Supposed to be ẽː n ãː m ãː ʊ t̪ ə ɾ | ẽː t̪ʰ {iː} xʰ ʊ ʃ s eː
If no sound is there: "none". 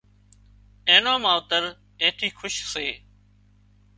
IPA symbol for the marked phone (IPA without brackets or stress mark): iː